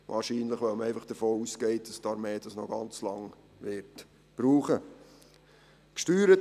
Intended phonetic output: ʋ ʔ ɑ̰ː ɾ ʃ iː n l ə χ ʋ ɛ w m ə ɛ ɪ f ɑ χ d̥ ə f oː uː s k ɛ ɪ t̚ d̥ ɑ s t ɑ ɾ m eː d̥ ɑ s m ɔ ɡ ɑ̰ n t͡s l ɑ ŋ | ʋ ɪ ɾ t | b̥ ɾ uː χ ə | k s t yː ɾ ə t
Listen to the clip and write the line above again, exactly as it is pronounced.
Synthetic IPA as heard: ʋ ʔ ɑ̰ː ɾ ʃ iː n l ə χ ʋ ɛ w m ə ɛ ɪ f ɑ χ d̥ ə f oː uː s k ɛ ɪ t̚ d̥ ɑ s t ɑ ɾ m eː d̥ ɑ s n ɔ ɡ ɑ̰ n t͡s l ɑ ŋ | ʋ ɪ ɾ t | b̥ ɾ uː χ ə | k ʃ t yː ɾ ə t